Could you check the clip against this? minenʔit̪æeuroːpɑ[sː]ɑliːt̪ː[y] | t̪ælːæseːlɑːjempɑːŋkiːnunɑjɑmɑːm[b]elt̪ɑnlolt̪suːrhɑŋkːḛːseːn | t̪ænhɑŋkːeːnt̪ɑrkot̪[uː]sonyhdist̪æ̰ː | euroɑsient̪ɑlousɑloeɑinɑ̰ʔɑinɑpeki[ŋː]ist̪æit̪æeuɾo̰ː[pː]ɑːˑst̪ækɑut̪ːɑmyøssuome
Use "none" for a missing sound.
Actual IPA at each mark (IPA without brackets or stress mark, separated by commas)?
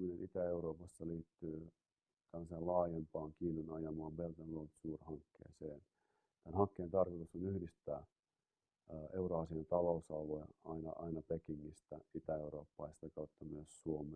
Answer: sː, yː, b, u, ŋː, pː